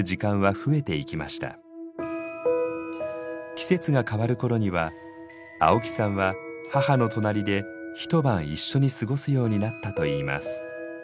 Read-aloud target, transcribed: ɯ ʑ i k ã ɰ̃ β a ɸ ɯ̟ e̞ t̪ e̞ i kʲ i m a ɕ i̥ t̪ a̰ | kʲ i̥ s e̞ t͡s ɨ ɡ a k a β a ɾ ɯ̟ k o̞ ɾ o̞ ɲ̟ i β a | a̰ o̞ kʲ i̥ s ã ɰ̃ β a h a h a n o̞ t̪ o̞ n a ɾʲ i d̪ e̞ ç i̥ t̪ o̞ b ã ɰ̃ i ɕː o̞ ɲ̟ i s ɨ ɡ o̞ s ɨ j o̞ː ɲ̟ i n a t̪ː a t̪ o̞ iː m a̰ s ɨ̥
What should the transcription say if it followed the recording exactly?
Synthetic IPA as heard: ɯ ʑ i k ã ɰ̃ β a ɸ ɯ̟ e̞ t̪ e̞ i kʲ i m a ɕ i̥ t̪ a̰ | kʲ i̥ s e̞ t͡s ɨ ɡ a k a β a ɾ ɯ̟ k o̞ ɾ o̞ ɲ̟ i β a | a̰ o̞ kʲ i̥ s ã ɰ̃ β a h a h a n o̞ t̪ o̞ n a ɾʲ i d̪ e̞ ç i̥ t̪ o̞ b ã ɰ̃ i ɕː o̞ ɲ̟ i s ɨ ɡ o̞ s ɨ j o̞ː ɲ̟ i n a t̪ː a t̪ o̞ iː m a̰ s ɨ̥